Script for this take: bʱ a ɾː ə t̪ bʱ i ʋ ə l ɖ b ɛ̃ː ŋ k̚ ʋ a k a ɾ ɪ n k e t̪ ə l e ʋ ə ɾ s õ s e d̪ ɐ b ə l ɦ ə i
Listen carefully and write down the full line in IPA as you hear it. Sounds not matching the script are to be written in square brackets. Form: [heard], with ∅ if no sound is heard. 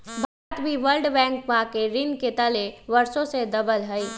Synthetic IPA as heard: bʱ a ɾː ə t̪ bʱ i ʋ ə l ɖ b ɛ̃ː ŋ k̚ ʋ a k [e] ɾ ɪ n k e t̪ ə l e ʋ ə ɾ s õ s e d̪ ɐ b ə l ɦ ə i